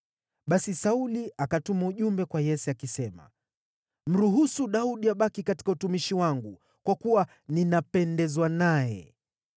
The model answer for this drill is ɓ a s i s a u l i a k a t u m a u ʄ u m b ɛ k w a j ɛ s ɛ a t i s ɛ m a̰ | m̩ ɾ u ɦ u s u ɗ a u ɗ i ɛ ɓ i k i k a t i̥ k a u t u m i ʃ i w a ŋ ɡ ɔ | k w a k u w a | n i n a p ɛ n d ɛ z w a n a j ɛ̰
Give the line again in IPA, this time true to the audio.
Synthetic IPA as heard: ɓ a s i s a u l i a k a t u m a u ʄ u m b ɛ k w a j ɛ s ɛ a k i s ɛ m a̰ | m̩ ɾ u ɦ u s u ɗ a u ɗ i a ɓ a k i k a t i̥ k a u t u m i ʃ i w a ŋ ɡ u | k w a k u w a | n i n a p ɛ n d ɛ z w a n a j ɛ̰